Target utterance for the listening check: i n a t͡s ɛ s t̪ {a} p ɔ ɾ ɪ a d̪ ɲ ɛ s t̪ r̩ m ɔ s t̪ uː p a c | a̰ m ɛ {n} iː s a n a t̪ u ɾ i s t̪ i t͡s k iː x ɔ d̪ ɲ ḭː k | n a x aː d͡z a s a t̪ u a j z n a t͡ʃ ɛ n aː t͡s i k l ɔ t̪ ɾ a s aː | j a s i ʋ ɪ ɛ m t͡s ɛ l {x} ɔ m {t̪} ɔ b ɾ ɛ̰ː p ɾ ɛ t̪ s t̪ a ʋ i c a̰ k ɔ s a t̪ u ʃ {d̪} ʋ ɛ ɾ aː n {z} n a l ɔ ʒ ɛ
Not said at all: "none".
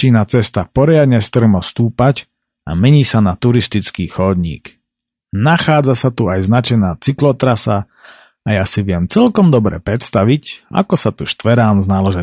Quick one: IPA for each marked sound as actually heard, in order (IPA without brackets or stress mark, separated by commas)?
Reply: a, ɲ, k, d̪, t̪, z